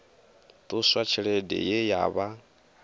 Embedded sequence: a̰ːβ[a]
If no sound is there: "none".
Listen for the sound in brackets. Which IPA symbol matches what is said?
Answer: a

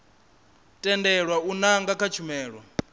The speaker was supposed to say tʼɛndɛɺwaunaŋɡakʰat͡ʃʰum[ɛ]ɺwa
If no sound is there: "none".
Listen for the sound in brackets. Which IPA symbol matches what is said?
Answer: ɛː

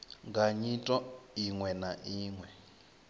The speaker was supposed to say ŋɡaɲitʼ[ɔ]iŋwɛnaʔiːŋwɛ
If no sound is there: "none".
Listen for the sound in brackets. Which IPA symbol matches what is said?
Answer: ɔ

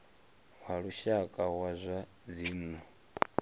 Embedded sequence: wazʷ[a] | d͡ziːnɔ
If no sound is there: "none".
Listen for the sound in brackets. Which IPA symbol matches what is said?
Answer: a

